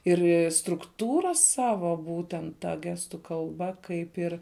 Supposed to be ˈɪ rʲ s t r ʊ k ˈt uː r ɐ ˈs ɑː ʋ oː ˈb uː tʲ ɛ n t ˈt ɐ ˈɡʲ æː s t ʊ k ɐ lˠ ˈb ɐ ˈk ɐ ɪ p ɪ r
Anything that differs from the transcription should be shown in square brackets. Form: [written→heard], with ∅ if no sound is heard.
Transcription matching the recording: ˈɪ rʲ s t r ʊ k ˈt uː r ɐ ˈs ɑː ʋ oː ˈb uː tʲ ɛ n t ˈt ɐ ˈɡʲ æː s t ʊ k ɐ lˠ ˈb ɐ ˈk ɐ ɪ p ɪ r